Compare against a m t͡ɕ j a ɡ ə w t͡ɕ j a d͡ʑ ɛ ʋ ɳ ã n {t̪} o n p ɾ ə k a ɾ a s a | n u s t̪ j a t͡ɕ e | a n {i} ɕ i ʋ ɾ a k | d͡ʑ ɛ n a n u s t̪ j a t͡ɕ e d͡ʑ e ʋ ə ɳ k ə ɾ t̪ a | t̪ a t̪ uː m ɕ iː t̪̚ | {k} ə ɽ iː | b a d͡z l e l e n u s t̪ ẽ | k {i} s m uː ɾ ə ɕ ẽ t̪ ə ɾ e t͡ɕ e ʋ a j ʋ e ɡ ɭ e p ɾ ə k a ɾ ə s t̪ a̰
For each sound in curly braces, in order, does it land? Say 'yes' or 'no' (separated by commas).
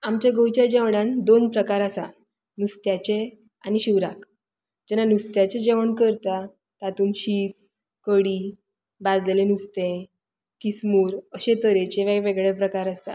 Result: no, yes, yes, yes